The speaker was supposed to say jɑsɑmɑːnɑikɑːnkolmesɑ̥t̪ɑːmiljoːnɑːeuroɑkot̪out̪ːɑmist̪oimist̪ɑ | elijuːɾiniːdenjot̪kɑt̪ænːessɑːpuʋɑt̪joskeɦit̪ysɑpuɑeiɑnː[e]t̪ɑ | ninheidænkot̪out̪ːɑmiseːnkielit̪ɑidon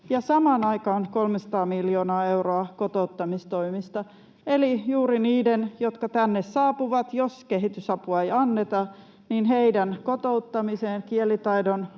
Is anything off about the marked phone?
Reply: no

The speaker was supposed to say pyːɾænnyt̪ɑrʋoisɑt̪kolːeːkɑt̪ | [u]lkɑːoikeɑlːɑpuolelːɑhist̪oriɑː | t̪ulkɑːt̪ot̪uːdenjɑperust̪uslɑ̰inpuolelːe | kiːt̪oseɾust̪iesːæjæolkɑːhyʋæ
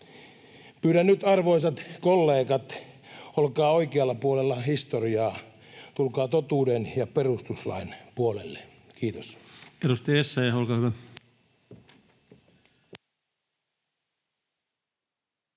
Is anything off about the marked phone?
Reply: yes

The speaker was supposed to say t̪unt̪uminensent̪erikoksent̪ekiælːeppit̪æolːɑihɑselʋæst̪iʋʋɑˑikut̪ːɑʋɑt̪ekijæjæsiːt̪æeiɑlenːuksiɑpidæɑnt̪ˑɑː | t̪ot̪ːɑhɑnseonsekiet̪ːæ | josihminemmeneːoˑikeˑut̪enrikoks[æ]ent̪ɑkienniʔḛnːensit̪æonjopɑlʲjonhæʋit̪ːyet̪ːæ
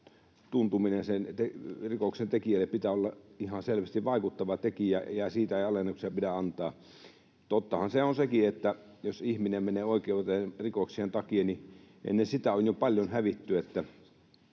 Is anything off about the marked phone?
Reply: yes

